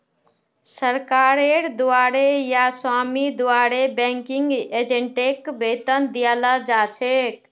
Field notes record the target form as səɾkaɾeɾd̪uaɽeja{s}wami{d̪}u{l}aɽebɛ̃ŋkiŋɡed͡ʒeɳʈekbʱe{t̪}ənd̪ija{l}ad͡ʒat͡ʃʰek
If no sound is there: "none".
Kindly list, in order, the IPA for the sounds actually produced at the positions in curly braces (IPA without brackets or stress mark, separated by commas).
s, d̪, none, t̪, l